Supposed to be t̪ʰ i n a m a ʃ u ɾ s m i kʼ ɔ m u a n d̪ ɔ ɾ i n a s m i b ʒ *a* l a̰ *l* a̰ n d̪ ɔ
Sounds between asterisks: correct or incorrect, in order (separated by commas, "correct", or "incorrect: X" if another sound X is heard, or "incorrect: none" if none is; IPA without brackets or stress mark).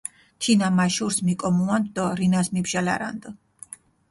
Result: correct, incorrect: ɾ